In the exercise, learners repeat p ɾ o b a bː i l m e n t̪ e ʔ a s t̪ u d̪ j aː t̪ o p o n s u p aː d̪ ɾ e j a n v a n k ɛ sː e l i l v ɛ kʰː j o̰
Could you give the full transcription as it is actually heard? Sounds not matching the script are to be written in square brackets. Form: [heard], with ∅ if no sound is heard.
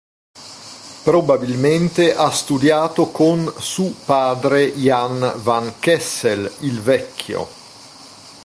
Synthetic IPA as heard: p ɾ o b a [b] i l m e n t̪ e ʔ a s t̪ u d̪ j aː t̪ o [k] o n s u p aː d̪ ɾ e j a n v a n k ɛ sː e l i l v ɛ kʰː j o̰

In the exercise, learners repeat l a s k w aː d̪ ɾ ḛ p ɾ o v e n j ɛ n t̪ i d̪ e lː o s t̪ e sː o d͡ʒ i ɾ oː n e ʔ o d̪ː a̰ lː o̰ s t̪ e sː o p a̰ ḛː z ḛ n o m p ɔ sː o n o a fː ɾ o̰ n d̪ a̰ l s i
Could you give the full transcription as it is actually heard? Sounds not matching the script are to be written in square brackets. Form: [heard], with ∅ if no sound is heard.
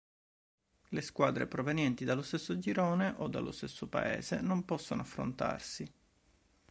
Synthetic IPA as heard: l [e] s k w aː d̪ ɾ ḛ p ɾ o v e n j ɛ n t̪ i d̪ [a] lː o s t̪ e sː o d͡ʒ i ɾ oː n e ʔ o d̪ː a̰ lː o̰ s t̪ e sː o p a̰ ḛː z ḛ n o m p ɔ sː o n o a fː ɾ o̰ n [t̪] a̰ [r] s i

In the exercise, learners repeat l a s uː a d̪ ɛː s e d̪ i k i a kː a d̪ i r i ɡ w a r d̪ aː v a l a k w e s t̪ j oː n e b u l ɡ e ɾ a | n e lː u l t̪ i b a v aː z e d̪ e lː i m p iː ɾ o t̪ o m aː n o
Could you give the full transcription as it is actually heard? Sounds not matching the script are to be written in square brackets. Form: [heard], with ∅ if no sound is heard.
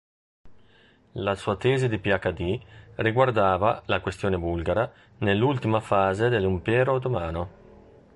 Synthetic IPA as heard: l a s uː a [t̪] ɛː [z] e d̪ i [p] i a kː a d̪ i r i ɡ w a r d̪ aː v a l a k w e s t̪ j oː n e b u l ɡ [a] ɾ a | n e lː u l t̪ i [m] a [f] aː z e d̪ e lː i m p [ɛː] ɾ o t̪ o m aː n o

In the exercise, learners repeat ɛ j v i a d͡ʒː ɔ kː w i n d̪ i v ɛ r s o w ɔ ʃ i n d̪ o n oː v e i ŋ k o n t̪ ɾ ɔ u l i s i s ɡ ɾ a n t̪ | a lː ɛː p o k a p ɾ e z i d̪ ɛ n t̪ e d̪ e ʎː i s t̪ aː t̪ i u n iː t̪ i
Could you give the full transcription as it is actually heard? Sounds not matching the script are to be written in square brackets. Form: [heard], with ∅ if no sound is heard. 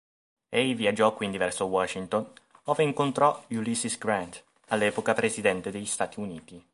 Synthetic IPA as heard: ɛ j v i a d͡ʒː ɔ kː w i n d̪ i v ɛ r s o w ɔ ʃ i n [t̪] o n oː v e i ŋ k o n t̪ ɾ ɔ u l i s i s ɡ ɾ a n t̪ | a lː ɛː p o k a p ɾ e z i d̪ ɛ n t̪ e d̪ e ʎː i s t̪ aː t̪ i u n iː t̪ i

